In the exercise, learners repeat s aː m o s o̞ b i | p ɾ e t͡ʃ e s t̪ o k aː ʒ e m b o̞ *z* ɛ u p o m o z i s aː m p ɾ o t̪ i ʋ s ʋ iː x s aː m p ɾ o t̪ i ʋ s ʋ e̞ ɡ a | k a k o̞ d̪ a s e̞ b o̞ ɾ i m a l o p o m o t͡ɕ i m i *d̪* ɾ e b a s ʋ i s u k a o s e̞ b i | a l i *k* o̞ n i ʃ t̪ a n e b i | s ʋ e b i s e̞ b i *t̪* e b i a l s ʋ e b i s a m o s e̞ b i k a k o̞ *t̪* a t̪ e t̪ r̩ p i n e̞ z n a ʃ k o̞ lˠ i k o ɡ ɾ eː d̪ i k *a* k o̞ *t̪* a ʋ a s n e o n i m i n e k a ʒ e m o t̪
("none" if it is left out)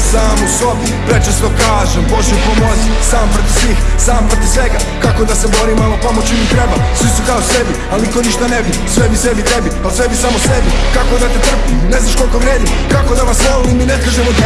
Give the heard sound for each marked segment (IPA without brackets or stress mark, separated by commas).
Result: ʒ, t̪, k, t̪, d̪, a, d̪